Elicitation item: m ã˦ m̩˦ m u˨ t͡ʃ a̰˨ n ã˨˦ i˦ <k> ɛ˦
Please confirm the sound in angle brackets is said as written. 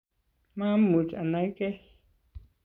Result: yes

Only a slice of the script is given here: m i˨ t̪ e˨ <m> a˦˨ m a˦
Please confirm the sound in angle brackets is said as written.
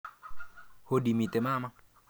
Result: yes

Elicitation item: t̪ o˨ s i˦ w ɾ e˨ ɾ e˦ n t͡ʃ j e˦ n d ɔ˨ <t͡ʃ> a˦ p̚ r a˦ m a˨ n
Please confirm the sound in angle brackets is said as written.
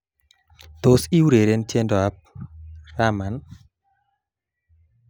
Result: no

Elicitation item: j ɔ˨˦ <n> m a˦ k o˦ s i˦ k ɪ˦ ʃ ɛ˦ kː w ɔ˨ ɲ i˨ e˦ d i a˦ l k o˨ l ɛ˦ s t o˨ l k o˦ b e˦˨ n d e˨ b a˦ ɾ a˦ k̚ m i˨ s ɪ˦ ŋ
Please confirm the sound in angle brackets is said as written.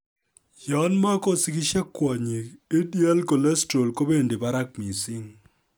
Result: yes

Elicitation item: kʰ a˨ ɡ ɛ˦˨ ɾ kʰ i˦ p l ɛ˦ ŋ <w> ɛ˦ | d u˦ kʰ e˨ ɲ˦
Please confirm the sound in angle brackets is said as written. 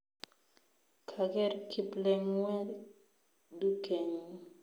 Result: yes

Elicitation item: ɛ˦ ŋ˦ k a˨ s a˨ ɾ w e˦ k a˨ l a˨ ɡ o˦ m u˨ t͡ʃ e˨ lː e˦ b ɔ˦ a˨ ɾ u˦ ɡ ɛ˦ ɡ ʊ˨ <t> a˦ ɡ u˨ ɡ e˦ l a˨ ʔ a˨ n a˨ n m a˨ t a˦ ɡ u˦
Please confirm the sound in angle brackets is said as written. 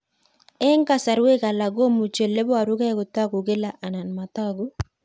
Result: yes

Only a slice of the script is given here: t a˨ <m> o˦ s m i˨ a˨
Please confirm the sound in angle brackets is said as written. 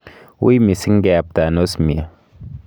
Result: no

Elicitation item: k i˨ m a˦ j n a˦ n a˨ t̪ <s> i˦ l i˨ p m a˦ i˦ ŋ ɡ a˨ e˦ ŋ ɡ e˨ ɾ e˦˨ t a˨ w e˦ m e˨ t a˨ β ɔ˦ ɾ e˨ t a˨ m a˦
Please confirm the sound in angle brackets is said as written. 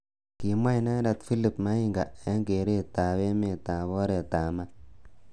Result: no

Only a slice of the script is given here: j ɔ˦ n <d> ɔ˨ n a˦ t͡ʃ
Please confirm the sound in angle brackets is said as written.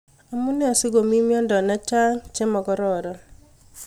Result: yes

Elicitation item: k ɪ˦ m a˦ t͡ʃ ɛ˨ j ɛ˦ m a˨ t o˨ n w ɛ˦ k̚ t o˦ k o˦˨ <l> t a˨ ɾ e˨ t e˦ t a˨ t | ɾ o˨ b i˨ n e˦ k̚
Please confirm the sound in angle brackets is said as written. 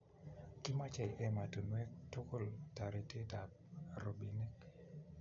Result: yes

